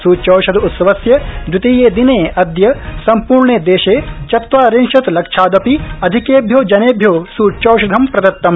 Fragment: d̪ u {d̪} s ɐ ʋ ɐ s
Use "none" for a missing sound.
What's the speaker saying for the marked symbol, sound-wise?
t̪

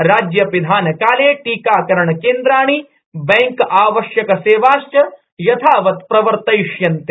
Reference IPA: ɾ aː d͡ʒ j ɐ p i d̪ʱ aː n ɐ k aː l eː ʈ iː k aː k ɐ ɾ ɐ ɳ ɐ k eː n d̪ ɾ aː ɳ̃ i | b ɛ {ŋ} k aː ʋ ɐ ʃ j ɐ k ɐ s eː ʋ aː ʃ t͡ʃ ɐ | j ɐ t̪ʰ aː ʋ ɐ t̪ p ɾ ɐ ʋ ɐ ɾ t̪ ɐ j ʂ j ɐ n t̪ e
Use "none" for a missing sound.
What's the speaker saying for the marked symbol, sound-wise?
ŋ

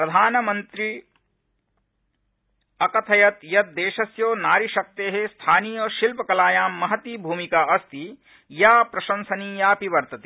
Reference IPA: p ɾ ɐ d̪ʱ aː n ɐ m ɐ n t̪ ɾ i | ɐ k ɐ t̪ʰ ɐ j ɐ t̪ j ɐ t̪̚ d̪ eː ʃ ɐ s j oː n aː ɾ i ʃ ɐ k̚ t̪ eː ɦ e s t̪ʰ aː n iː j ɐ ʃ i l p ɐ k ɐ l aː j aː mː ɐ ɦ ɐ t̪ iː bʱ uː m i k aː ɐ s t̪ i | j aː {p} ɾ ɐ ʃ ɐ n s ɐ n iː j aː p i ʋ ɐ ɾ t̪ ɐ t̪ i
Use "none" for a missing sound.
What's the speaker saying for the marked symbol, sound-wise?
p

